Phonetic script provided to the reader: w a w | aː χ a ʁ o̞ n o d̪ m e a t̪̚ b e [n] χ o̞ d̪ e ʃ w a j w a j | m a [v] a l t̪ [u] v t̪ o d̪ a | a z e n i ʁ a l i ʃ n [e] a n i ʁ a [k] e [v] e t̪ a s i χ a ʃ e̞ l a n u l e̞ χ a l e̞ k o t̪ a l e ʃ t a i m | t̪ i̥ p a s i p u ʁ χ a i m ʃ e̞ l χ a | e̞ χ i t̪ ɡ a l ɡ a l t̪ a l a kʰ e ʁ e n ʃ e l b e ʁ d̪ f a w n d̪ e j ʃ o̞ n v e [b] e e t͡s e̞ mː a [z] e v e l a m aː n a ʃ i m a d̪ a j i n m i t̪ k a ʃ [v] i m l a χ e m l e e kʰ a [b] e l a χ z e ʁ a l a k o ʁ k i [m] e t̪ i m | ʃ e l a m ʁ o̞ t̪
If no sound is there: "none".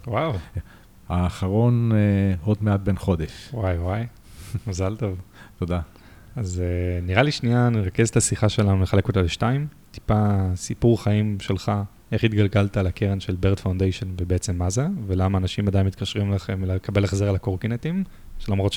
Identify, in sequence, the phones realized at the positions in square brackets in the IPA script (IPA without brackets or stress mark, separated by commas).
n, z, o, i, k, z, b, z, ʁ, b, n